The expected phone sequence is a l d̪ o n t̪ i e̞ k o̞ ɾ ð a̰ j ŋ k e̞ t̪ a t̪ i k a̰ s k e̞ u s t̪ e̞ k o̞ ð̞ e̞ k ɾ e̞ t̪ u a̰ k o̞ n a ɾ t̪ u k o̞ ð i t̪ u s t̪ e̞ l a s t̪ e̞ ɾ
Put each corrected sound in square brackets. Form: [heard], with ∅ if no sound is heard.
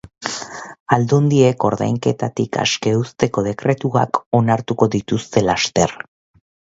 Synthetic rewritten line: a l d̪ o n [d̪] i e̞ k o̞ ɾ ð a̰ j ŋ k e̞ t̪ a t̪ i k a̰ s k e̞ u s t̪ e̞ k o̞ ð̞ e̞ k ɾ e̞ t̪ u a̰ k o̞ n a ɾ t̪ u k o̞ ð i t̪ u s t̪ e̞ l a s t̪ e̞ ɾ